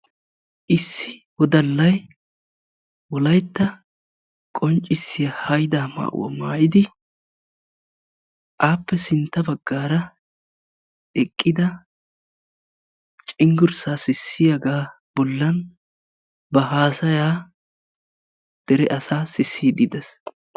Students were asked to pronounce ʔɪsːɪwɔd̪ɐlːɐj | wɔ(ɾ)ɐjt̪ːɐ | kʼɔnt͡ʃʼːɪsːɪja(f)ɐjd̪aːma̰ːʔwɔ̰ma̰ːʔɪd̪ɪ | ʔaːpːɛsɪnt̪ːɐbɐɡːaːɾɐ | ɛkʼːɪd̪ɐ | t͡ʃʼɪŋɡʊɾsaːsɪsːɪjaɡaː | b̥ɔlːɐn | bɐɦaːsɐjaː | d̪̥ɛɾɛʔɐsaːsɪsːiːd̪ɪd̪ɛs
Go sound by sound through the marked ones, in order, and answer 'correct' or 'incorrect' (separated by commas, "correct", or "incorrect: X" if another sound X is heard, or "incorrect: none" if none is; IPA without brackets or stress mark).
incorrect: l, incorrect: h